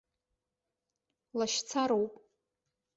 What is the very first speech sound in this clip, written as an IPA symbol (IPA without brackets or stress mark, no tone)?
l